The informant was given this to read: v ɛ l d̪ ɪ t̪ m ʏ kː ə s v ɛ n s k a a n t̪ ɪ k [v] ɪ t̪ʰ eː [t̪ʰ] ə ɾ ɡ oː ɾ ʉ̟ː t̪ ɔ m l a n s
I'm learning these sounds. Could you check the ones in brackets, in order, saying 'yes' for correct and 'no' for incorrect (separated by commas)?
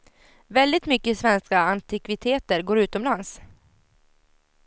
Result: yes, no